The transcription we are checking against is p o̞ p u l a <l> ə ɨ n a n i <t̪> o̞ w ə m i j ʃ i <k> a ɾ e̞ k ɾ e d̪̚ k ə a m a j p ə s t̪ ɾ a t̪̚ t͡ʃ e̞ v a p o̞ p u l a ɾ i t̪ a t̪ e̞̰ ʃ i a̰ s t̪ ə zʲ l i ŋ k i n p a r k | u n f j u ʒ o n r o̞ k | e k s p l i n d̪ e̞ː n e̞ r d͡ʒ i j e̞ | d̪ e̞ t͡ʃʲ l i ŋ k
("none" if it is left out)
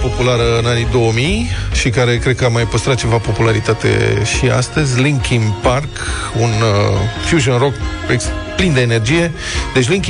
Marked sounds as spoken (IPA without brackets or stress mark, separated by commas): ɾ, d̪, k